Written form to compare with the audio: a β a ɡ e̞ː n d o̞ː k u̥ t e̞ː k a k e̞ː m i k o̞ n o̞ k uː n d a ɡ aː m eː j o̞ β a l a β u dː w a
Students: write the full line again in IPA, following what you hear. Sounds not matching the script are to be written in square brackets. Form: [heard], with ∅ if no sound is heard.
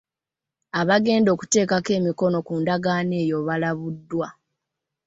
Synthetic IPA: a β a ɡ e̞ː n d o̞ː k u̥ t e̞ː k a k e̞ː m i k o̞ n o̞ k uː n d a ɡ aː [n] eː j o̞ β a l a β u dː w a